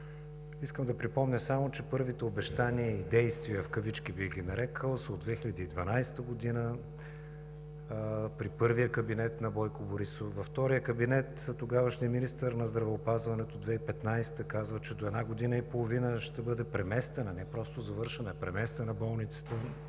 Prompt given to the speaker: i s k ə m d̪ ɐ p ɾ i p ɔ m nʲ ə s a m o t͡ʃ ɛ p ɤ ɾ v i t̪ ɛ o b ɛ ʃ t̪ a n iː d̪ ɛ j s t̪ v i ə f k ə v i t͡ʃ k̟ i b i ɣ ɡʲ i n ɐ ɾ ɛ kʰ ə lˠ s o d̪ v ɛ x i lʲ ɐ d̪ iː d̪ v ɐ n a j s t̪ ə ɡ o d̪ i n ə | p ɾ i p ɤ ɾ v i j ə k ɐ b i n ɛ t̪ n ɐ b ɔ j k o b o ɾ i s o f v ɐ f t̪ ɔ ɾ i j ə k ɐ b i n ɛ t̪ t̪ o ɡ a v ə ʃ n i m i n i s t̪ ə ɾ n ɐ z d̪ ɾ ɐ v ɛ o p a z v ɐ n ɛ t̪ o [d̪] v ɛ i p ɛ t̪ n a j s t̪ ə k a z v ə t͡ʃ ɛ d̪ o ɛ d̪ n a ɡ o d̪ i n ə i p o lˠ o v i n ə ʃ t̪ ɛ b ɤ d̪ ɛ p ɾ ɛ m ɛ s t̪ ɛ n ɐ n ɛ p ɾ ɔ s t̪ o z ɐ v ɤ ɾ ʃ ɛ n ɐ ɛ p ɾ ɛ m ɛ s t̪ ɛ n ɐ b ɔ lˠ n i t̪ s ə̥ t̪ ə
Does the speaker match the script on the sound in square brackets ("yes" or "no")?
yes